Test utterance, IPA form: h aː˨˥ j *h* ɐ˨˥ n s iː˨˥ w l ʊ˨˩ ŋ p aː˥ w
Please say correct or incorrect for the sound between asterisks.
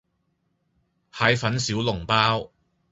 incorrect